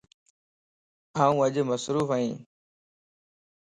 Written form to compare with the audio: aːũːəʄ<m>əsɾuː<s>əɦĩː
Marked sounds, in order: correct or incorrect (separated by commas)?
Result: correct, incorrect